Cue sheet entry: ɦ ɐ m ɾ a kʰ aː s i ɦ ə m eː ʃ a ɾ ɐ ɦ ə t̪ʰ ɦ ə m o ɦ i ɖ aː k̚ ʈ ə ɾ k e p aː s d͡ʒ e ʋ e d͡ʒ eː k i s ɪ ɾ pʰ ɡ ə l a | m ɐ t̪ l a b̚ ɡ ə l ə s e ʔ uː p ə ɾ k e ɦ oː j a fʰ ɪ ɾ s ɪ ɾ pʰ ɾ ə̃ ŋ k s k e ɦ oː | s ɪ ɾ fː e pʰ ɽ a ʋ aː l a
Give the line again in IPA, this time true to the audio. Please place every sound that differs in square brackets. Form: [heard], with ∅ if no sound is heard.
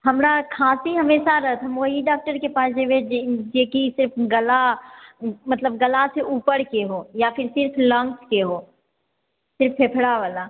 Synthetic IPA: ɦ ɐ m ɾ a kʰ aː s i ɦ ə m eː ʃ a ɾ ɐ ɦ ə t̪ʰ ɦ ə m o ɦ i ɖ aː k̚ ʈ ə ɾ k e p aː s d͡ʒ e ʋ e d͡ʒ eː k i s ɪ ɾ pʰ ɡ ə l a | m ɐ t̪ l [ə] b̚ ɡ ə l [a] s e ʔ uː p ə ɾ k e ɦ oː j a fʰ ɪ ɾ s ɪ ɾ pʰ [l] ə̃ ŋ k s k e ɦ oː | s ɪ ɾ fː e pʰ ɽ a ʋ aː l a